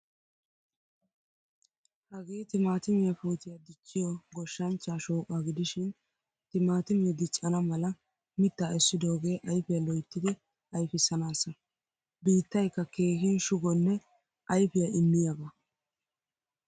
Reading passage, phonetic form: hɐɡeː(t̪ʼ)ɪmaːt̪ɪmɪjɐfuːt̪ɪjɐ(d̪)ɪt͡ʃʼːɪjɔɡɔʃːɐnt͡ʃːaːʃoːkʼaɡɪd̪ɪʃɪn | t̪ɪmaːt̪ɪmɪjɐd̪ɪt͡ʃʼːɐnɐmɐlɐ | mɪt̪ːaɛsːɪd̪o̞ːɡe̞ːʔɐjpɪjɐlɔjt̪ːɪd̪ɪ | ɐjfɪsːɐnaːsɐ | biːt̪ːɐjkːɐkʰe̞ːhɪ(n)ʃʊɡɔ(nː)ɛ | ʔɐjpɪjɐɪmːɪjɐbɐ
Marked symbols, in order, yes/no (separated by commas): no, yes, yes, yes